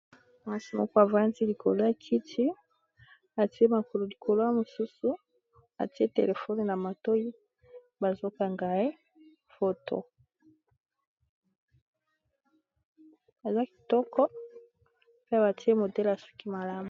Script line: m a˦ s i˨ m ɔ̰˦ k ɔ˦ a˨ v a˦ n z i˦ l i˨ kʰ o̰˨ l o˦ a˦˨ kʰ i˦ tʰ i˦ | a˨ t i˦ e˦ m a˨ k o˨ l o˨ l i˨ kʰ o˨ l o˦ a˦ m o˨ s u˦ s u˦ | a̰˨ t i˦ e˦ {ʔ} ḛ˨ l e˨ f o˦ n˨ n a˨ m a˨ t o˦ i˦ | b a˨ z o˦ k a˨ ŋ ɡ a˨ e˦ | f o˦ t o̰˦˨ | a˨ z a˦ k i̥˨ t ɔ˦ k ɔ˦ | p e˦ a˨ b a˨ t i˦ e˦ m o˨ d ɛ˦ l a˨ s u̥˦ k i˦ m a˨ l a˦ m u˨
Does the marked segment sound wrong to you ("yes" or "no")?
yes